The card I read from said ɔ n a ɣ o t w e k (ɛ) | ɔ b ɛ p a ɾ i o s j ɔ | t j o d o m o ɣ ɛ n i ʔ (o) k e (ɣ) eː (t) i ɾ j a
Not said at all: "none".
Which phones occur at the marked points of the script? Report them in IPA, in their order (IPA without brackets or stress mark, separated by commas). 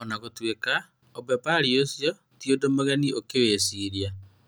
a, o, w, s